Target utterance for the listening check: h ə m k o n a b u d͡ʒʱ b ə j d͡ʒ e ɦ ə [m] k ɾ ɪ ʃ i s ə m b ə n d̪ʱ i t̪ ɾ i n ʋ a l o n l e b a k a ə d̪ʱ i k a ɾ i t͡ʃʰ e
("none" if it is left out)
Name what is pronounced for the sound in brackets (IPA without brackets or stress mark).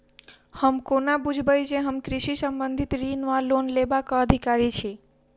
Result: m